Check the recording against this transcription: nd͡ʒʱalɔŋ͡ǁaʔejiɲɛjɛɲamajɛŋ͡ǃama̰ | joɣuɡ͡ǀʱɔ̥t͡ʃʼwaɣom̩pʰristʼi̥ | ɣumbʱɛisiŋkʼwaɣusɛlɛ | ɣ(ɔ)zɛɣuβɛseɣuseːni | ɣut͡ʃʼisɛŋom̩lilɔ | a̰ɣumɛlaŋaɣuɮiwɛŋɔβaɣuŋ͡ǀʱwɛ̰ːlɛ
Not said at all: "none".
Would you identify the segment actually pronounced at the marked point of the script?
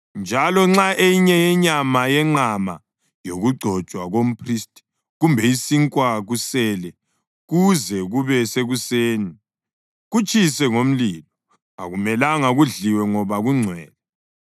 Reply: u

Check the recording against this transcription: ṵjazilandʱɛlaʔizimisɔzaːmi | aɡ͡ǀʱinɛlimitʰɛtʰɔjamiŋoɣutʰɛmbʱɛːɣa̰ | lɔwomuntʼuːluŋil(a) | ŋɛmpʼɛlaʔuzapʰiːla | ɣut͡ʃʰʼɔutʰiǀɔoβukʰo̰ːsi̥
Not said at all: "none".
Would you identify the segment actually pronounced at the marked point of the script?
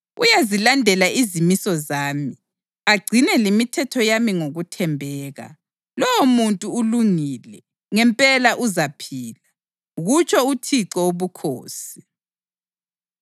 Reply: ɛ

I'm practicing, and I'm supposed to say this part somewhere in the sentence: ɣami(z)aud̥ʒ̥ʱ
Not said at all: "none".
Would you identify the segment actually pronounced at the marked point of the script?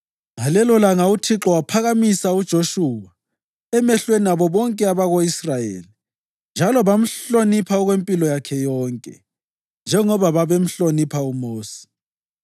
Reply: s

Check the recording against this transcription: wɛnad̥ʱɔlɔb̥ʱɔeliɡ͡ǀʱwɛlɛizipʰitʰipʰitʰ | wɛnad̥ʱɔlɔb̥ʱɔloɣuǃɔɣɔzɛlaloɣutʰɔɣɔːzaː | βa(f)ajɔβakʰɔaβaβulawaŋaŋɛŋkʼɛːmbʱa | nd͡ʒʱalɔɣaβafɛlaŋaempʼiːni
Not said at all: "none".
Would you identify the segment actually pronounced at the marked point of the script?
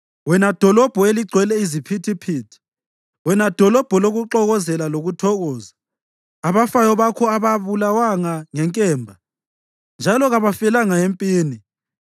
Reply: f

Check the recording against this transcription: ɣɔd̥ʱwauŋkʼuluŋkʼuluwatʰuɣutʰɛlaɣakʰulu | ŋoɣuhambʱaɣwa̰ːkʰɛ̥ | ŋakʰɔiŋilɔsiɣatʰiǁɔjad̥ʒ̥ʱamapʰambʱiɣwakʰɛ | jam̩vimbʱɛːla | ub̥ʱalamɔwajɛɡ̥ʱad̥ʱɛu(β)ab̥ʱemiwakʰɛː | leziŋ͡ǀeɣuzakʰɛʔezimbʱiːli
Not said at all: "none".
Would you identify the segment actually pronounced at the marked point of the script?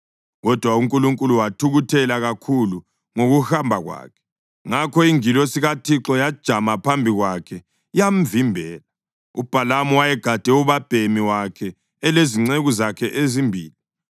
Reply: β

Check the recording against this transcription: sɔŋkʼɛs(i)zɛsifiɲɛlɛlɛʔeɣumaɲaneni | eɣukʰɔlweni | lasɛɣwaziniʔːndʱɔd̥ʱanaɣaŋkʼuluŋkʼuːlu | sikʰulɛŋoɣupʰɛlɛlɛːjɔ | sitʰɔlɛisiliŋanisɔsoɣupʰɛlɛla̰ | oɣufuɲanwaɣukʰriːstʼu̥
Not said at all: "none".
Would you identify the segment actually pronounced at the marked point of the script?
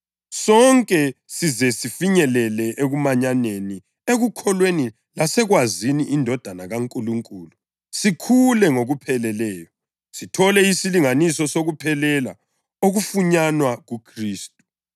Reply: i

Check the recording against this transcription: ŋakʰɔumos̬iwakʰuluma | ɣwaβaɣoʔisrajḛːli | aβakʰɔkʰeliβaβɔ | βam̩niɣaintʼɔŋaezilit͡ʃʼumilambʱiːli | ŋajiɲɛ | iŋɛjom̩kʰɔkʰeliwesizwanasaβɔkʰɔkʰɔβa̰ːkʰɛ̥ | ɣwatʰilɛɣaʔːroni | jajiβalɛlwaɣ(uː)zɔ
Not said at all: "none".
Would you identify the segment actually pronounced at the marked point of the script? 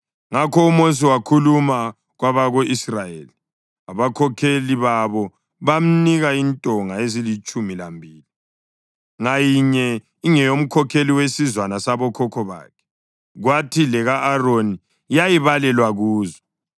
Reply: uː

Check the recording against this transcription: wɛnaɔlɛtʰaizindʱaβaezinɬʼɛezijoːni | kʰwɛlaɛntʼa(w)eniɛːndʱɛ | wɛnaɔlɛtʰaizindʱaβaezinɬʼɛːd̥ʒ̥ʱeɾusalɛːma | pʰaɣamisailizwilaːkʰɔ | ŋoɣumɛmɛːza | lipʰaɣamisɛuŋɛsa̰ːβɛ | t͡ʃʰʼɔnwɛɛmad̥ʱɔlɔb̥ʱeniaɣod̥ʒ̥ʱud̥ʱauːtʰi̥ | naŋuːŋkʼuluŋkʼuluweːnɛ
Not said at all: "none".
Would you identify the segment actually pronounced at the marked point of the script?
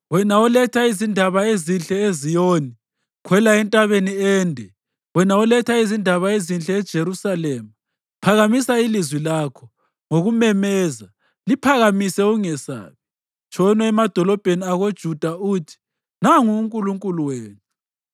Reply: β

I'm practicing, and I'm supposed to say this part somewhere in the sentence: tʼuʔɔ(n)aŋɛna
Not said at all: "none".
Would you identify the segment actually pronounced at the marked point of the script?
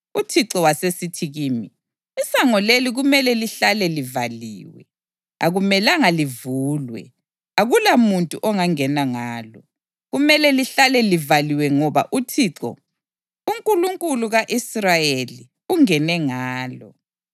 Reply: ŋ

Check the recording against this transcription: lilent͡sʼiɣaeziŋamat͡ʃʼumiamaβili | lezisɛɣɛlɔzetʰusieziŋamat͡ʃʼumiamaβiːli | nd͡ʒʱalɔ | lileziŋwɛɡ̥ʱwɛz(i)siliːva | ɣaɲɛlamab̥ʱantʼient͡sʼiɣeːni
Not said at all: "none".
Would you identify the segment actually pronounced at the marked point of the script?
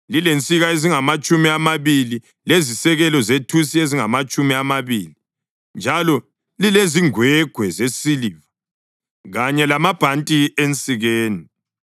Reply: e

